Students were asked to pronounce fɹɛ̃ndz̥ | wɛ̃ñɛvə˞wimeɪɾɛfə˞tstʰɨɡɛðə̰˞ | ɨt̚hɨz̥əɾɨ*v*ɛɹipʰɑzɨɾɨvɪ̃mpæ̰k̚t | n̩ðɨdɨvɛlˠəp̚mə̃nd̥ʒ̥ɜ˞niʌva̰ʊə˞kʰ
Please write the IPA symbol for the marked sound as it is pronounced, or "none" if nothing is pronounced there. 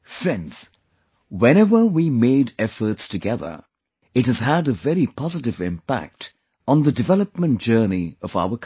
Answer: v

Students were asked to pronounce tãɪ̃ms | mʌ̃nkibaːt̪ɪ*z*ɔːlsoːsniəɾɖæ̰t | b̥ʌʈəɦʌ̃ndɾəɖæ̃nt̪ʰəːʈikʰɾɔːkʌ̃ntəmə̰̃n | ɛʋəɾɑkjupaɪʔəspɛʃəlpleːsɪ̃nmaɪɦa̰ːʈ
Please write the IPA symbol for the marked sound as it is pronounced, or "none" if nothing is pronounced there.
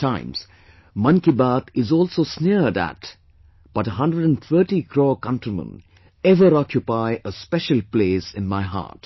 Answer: z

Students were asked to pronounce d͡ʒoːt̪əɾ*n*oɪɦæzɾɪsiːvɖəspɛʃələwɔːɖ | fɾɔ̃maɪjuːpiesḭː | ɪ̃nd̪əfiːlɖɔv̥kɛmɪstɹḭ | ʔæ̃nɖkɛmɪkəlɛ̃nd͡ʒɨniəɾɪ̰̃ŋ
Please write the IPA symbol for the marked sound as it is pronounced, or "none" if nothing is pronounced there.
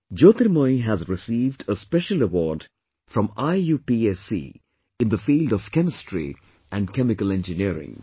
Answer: m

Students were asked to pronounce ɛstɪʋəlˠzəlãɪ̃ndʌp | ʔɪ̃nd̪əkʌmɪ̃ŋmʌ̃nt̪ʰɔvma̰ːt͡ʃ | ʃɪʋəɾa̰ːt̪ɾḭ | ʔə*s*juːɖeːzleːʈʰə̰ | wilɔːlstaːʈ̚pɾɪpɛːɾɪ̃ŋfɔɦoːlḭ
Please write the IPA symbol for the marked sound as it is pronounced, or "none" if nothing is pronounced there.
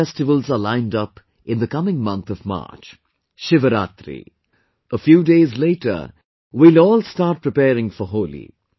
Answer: f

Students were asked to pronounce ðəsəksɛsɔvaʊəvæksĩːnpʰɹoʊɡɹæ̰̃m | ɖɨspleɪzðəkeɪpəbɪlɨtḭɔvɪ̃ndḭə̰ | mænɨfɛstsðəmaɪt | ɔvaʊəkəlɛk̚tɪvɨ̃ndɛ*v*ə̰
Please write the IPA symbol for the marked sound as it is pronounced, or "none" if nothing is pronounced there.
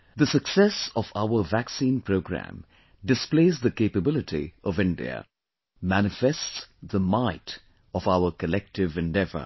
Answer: v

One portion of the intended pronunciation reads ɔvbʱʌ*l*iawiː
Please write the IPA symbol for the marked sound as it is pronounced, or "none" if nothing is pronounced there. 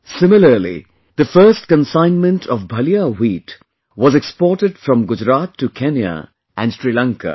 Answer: l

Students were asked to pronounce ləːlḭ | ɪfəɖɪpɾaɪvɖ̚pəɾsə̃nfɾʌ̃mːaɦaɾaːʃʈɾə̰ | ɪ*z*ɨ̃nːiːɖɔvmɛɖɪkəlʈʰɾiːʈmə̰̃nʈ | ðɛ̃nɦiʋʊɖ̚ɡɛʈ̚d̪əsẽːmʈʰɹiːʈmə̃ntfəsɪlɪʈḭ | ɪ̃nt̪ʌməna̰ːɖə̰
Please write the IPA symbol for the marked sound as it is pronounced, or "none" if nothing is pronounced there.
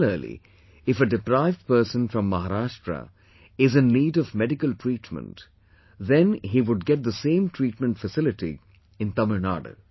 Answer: z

